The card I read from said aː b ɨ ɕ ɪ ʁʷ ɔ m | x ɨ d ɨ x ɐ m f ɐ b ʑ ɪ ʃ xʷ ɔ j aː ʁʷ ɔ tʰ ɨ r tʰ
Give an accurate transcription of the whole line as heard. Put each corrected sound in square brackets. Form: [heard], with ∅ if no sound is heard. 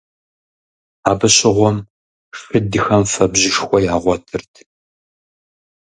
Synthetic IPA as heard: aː b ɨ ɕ ɪ ʁʷ ɔ m | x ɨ d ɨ x ɐ m f ɐ b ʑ ɪ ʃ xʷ ɔ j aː ʁʷ ɔ tʰ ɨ r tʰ

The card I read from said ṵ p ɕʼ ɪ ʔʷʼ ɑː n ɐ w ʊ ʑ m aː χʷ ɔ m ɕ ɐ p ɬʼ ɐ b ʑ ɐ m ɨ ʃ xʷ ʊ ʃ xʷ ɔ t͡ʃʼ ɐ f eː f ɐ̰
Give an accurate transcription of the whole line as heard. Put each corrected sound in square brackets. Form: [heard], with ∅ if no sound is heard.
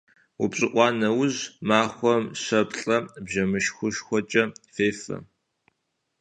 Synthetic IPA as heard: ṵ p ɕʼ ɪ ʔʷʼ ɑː n ɐ w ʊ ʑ m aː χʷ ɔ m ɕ ɐ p ɬʼ ɐ b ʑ ɐ m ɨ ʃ xʷ ʊ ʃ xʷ ɔ t͡ʃʼ ɐ f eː f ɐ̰

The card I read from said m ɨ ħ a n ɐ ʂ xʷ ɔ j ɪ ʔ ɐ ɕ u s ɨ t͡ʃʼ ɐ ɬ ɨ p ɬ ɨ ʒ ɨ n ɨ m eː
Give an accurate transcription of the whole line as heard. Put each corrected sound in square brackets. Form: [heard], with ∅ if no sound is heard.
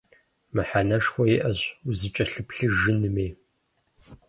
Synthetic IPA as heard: m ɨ ħ a n ɐ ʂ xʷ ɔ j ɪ ʔ ɐ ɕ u [z] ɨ t͡ʃʼ ɐ ɬ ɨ p ɬ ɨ ʒ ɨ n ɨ m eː

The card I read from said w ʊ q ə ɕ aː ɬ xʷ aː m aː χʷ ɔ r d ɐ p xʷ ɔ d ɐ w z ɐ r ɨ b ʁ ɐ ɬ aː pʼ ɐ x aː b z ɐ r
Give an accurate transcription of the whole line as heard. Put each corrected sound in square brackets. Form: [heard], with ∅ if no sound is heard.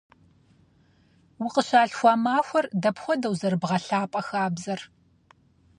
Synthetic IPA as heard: w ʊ q ə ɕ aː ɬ xʷ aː m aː [xʷ] ɔ r d ɐ p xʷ ɔ d ɐ w z ɐ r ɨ b ʁ ɐ ɬ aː pʼ ɐ x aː b z ɐ r

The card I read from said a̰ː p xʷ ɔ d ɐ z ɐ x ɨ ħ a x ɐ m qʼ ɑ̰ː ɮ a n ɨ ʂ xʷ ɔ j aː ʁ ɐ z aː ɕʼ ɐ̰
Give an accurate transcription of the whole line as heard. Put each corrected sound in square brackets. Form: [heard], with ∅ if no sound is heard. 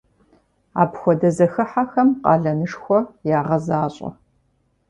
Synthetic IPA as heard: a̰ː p xʷ ɔ d ɐ z ɐ x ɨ ħ a x ɐ m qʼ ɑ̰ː ɮ [ɐ] n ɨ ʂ xʷ ɔ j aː ʁ ɐ z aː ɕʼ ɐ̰

